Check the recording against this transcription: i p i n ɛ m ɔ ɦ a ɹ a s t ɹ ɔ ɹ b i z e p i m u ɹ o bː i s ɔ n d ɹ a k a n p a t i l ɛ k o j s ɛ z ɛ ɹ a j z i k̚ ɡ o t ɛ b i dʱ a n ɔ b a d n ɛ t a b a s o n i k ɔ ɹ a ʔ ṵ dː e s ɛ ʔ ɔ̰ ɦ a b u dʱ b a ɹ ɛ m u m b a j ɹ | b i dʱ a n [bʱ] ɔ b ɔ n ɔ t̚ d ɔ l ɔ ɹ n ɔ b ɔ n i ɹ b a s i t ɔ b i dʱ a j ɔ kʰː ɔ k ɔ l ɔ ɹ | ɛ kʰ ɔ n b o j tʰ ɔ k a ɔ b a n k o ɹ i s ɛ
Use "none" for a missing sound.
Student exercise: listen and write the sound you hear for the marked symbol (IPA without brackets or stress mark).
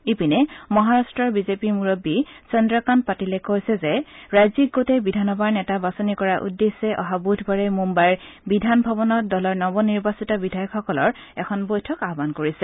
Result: bʱ